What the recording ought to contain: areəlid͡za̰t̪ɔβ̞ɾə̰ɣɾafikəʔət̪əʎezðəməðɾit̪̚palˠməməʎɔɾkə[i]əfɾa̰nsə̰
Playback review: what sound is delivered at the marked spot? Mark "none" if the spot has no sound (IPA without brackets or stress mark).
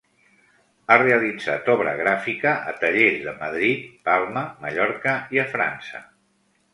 i